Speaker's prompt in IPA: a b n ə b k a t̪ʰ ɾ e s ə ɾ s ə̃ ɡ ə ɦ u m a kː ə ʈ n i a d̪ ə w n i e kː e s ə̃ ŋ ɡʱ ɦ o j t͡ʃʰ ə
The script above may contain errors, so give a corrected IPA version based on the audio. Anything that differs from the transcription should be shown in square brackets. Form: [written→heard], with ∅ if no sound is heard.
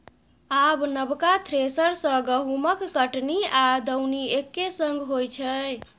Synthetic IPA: a b n ə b k a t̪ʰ ɾ e s ə ɾ s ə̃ ɡ ə ɦ u m [a→ə] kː ə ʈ n i a d̪ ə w n i e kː e s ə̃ ŋ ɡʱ ɦ o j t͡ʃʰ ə